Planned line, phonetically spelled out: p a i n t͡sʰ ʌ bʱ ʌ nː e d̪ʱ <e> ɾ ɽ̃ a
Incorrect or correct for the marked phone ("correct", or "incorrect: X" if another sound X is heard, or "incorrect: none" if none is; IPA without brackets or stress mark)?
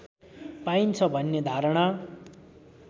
incorrect: a